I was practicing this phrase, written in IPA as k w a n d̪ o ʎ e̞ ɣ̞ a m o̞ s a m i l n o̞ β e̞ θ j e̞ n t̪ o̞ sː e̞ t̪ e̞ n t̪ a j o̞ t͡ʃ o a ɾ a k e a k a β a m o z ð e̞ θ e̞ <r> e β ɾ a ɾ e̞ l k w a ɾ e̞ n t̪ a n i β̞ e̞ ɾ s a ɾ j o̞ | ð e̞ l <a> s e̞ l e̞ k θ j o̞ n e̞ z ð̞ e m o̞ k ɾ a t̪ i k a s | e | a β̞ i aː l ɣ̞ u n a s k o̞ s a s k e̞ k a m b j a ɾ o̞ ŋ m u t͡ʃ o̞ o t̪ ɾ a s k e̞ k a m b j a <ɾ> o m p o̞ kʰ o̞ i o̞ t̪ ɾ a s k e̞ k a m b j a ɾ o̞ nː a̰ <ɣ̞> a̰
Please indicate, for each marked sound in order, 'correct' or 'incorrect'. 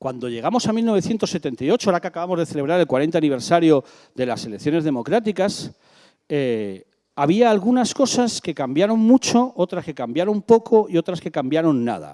incorrect, correct, correct, incorrect

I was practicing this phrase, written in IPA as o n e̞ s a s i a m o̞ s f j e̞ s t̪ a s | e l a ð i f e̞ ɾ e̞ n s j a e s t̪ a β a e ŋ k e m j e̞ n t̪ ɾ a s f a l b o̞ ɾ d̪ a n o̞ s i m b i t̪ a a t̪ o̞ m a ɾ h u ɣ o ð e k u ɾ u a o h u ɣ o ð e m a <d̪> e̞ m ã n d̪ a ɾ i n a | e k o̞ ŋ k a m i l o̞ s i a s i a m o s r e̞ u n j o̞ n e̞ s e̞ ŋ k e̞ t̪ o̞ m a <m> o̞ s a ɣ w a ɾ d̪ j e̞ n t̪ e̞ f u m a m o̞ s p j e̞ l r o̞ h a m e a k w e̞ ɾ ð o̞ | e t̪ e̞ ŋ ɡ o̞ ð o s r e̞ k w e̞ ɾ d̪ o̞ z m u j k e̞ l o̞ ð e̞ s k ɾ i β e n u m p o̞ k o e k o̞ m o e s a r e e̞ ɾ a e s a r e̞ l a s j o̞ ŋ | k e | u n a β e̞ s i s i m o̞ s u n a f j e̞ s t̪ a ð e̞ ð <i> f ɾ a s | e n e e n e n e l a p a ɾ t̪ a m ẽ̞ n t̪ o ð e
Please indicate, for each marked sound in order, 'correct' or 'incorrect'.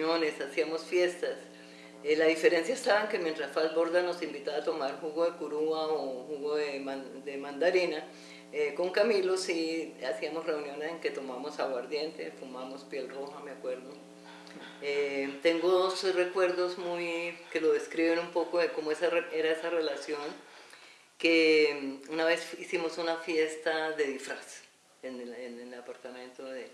correct, correct, correct

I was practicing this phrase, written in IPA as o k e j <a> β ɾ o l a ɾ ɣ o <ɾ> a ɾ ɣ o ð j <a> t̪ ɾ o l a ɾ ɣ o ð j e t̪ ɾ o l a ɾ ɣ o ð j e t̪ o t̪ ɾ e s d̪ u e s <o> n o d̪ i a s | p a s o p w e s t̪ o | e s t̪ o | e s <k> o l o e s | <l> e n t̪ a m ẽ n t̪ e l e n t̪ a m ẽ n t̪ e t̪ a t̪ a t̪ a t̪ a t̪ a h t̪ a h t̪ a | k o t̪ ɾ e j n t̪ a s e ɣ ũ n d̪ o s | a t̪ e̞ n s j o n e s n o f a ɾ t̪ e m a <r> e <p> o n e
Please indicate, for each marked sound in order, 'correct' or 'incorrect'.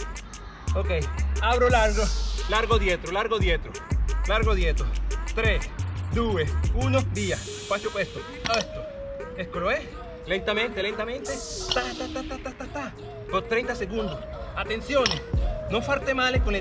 correct, incorrect, incorrect, incorrect, correct, correct, incorrect, incorrect

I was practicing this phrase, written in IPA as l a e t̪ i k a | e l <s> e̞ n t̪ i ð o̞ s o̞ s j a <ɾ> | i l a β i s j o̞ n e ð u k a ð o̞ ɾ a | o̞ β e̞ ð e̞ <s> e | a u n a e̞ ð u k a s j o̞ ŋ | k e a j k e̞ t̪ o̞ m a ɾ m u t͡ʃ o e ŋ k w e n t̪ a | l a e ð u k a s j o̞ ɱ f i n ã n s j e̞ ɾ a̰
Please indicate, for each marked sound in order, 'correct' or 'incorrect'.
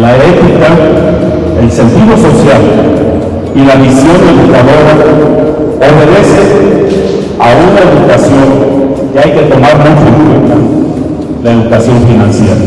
correct, incorrect, correct

